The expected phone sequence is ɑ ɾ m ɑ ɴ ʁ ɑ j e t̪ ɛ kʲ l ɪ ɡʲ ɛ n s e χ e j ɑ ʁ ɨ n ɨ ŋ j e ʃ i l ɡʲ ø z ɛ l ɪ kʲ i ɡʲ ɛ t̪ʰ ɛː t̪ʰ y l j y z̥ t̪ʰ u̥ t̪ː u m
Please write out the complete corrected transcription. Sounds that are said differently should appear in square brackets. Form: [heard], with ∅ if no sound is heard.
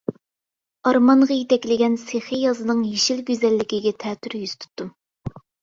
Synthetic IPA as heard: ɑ ɾ m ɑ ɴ ʁ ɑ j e t̪ ɛ kʲ l ɪ ɡʲ ɛ n s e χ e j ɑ [z] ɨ n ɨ ŋ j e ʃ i l ɡʲ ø z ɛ [lː] ɪ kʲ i ɡʲ ɛ t̪ʰ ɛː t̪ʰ y [ɾ] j y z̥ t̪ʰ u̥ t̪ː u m